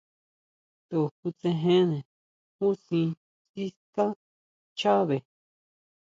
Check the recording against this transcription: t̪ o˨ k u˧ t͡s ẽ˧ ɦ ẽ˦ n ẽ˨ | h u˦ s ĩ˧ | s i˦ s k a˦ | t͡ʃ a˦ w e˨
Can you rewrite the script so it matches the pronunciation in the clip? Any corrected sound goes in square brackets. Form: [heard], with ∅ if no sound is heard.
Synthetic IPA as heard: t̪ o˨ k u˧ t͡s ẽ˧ ɦ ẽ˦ n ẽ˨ | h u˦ s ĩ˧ | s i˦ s k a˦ | t͡ʃ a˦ [β] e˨